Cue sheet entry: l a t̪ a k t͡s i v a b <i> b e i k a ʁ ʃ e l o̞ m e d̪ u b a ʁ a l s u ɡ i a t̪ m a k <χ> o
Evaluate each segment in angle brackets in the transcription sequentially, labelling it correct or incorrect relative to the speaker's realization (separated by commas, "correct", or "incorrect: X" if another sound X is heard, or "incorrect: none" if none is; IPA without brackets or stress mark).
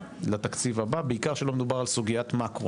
incorrect: a, incorrect: ʁ